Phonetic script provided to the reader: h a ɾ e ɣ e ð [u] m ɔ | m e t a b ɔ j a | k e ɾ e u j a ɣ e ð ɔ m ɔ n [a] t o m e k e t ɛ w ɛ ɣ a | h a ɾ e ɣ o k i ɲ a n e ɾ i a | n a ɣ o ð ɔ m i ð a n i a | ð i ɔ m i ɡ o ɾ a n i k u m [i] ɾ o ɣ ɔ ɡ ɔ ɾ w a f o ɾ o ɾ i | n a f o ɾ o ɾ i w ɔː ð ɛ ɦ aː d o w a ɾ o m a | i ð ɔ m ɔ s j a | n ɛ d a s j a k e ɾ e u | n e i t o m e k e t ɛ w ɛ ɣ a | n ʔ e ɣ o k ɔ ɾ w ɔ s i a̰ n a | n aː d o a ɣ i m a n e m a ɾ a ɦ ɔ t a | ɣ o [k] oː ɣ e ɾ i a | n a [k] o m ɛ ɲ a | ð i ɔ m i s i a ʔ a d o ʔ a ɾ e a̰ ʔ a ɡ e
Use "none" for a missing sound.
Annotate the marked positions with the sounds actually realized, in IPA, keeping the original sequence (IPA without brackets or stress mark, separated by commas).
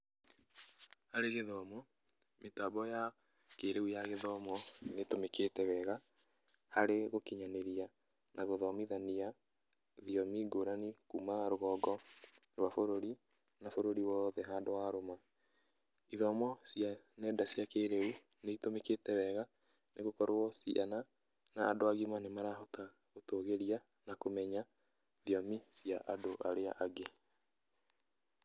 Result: ɔ, e, a, t, k